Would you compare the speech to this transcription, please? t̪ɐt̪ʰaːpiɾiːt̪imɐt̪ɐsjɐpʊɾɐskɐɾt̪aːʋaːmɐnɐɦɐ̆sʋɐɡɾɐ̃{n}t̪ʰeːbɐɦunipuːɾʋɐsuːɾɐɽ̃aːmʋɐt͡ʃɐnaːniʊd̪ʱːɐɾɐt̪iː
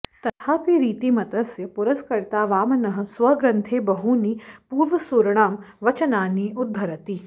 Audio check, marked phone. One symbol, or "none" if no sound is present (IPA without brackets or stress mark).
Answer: n